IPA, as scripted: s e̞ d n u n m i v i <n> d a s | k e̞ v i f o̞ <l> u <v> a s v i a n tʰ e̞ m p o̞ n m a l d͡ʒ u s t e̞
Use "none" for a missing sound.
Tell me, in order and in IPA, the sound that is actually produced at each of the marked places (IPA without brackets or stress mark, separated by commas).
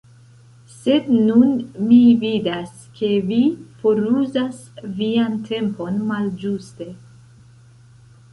none, ɾ, z